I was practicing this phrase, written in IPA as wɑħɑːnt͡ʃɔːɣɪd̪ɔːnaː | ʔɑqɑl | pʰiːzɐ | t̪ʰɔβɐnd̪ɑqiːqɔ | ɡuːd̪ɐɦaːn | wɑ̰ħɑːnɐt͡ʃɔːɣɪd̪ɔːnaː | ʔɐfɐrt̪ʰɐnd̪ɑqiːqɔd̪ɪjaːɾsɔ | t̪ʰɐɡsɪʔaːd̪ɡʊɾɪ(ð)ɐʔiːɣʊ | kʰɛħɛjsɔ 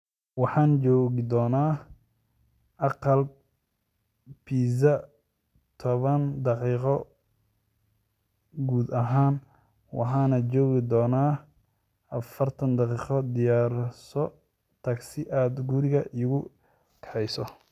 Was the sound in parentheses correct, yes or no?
no